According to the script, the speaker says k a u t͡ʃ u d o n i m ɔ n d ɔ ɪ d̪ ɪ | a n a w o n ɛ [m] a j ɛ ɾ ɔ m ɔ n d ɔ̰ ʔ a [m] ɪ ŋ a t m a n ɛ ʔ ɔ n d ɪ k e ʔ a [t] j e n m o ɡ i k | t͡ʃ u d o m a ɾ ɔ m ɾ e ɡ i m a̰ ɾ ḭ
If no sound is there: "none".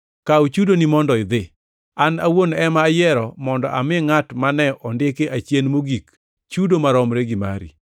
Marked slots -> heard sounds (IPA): m, m, t͡ʃ

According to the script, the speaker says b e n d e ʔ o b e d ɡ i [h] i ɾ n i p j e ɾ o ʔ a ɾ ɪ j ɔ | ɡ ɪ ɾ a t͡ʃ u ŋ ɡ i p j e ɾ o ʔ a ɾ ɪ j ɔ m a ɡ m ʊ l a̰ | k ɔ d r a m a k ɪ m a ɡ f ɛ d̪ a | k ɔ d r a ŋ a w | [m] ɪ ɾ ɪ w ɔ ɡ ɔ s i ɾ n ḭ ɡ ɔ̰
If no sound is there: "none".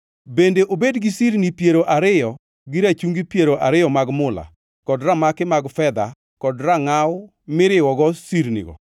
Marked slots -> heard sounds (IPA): s, m

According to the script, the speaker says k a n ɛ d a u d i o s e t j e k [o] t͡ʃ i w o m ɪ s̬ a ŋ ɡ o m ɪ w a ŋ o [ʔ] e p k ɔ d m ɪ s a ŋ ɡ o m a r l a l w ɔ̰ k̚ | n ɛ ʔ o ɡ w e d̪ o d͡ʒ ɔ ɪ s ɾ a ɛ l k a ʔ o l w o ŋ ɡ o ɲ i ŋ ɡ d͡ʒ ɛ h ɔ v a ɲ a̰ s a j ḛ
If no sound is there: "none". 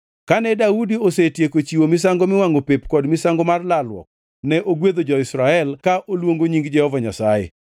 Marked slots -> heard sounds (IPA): o, p

